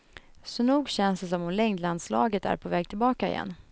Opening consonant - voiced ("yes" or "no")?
no